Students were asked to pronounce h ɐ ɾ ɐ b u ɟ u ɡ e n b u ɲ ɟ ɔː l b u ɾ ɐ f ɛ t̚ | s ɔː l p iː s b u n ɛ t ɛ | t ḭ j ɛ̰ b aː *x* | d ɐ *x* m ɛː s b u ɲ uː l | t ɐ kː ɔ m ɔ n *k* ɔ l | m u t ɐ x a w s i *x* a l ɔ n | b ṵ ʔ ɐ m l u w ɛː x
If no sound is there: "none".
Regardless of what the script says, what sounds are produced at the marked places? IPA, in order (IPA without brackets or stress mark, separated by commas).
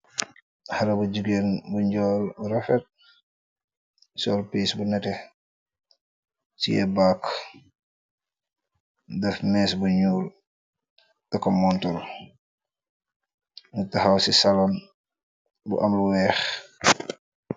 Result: k, f, t, s